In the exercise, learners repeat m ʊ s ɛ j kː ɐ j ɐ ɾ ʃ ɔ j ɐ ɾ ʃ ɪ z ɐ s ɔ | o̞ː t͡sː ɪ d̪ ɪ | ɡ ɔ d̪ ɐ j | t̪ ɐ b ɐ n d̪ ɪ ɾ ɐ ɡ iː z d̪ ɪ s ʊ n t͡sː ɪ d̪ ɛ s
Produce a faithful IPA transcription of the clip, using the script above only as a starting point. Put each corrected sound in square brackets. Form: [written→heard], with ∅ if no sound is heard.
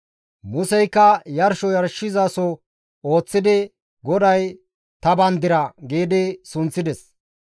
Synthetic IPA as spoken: m ʊ s ɛ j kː ɐ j ɐ ɾ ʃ ɔ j ɐ ɾ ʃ ɪ z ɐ s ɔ | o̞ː t͡sː ɪ d̪ ɪ | ɡ ɔ d̪ ɐ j | t̪ ɐ b ɐ n d̪ ɪ ɾ ɐ ɡ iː [z→∅] d̪ ɪ s ʊ n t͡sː ɪ d̪ ɛ s

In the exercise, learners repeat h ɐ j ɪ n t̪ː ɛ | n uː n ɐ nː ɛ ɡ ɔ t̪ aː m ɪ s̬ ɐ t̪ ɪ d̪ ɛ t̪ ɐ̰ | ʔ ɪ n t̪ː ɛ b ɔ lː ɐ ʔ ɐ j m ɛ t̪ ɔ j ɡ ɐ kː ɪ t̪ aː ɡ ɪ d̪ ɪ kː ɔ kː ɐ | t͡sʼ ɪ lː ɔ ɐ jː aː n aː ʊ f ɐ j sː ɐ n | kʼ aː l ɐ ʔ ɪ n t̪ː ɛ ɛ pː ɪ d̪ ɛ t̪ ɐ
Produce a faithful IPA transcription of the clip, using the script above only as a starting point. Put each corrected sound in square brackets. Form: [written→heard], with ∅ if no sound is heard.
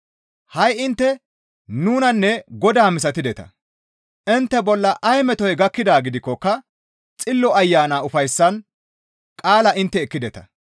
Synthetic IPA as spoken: h ɐ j ɪ n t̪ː ɛ | n uː n ɐ nː ɛ ɡ ɔ [t̪→d̪] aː m ɪ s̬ ɐ t̪ ɪ d̪ ɛ t̪ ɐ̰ | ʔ ɪ n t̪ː ɛ b ɔ lː ɐ ʔ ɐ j m ɛ t̪ ɔ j ɡ ɐ kː ɪ [t̪→d̪] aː ɡ ɪ d̪ ɪ kː ɔ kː ɐ | t͡sʼ ɪ lː ɔ ɐ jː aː n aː ʊ f ɐ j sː ɐ n | kʼ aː l ɐ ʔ ɪ n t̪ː ɛ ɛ [pː→kː] ɪ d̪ ɛ t̪ ɐ

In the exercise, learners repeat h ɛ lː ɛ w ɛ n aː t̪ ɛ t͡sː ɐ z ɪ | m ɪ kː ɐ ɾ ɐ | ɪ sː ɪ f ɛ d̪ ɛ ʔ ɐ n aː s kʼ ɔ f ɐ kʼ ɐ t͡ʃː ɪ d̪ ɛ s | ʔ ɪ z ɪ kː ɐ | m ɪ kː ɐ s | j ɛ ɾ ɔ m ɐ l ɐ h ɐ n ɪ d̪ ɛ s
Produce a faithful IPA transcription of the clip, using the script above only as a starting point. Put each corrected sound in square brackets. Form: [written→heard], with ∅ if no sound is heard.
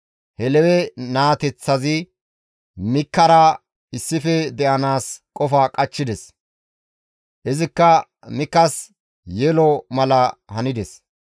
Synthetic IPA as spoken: h ɛ [lː→l] ɛ w ɛ n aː t̪ ɛ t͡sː ɐ z ɪ | m ɪ kː ɐ ɾ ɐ | ɪ sː ɪ f ɛ d̪ ɛ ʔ ɐ n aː s kʼ ɔ f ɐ kʼ ɐ t͡ʃː ɪ d̪ ɛ s | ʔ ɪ z ɪ kː ɐ | m ɪ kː ɐ s | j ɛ [ɾ→l] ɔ m ɐ l ɐ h ɐ n ɪ d̪ ɛ s

